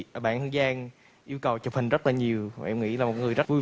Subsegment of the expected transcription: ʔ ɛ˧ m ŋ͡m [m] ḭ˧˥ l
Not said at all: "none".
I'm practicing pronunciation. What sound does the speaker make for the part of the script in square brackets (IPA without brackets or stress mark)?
ŋ